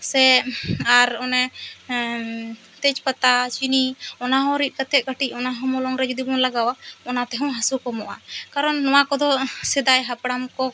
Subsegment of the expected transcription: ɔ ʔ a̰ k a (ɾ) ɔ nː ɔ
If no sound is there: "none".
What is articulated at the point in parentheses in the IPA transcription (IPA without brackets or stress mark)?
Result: ɾ